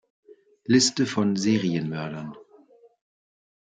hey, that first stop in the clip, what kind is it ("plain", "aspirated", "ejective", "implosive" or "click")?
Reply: plain